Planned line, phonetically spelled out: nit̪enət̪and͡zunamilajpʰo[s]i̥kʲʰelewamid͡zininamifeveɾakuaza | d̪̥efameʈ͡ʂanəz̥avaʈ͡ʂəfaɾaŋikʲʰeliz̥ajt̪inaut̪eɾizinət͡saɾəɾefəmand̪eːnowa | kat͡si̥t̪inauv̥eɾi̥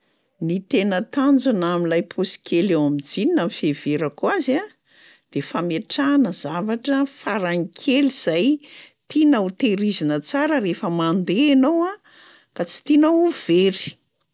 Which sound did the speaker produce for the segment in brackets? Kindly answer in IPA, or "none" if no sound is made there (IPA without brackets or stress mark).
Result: s